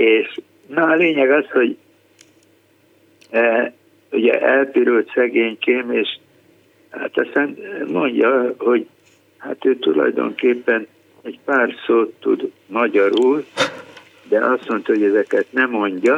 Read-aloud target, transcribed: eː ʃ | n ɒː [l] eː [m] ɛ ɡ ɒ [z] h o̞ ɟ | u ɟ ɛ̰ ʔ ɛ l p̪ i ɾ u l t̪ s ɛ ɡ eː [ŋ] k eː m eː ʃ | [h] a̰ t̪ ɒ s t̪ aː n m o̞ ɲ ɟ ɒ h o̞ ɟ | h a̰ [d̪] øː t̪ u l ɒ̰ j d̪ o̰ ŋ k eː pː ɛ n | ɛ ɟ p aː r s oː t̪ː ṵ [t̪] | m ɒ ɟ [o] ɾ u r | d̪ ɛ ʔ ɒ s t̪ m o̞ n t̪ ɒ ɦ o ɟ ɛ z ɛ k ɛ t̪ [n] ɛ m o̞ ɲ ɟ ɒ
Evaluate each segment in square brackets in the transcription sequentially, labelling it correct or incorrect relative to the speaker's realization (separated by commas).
correct, incorrect, incorrect, incorrect, correct, incorrect, incorrect, incorrect, correct